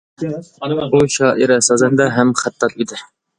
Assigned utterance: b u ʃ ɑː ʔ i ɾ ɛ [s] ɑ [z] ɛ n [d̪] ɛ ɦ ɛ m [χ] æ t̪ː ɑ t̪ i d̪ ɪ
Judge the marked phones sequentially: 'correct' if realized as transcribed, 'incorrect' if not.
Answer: correct, correct, correct, correct

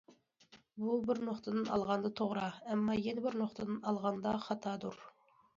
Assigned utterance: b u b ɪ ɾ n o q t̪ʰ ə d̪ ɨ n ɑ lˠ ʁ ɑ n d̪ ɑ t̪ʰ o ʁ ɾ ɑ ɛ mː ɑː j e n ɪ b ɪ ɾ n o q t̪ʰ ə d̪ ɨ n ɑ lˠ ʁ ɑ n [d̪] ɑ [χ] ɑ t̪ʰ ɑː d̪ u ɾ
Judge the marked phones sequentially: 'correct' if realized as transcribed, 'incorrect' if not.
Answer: correct, correct

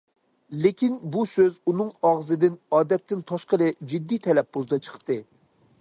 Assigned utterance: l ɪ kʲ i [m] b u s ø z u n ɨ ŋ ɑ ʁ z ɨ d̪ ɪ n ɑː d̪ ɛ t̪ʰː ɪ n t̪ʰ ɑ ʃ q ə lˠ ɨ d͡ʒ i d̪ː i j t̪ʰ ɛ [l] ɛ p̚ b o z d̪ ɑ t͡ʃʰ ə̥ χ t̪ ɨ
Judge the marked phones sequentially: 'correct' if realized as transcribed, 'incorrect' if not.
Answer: incorrect: n, correct

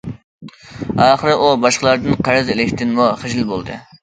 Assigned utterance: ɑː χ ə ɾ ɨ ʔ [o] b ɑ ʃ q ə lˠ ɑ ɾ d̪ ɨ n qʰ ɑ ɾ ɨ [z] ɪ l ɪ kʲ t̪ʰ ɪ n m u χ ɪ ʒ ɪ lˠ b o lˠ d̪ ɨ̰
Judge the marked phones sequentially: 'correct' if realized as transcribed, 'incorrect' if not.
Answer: incorrect: u, correct

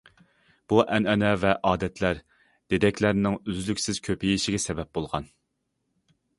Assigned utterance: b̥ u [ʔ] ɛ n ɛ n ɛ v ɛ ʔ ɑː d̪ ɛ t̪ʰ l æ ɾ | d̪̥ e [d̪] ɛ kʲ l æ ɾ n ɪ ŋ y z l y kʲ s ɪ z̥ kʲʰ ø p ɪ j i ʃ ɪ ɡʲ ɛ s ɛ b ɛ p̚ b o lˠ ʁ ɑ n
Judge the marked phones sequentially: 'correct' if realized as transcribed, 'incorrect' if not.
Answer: correct, correct

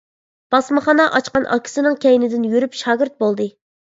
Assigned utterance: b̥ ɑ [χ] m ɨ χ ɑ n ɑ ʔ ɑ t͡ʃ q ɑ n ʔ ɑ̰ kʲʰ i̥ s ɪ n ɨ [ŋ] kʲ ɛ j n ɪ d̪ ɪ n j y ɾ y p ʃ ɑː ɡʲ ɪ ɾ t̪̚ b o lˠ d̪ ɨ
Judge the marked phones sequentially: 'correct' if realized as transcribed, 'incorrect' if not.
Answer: incorrect: s, correct

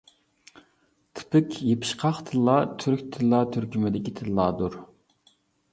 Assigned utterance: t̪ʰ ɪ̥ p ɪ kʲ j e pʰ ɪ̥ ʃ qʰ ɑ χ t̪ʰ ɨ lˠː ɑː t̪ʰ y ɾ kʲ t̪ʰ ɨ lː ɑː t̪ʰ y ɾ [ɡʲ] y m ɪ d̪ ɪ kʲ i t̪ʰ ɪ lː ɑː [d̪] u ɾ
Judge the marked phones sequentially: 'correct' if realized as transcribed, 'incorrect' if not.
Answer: incorrect: kʲ, correct

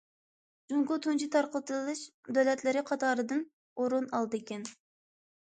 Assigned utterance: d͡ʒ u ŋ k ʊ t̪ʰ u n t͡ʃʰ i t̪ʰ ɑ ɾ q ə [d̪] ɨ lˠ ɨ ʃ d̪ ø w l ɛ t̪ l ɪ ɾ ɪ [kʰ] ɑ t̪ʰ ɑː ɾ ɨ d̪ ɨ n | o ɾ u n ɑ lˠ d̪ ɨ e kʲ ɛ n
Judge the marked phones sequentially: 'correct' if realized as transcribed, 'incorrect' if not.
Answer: incorrect: t̪, incorrect: qʰ

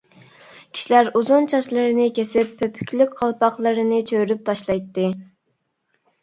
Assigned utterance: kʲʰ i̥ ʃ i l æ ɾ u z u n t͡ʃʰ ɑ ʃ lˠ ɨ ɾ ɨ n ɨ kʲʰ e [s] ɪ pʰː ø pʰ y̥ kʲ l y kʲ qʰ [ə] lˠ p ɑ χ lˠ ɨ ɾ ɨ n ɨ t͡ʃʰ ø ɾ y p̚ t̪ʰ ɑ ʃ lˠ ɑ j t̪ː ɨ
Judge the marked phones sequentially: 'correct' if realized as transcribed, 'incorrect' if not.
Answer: correct, incorrect: ɑ

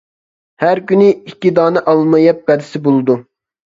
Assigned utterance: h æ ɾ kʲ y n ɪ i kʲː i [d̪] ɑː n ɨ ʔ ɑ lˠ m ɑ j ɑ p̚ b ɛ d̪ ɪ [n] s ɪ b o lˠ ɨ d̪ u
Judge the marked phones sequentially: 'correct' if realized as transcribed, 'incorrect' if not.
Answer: correct, incorrect: none

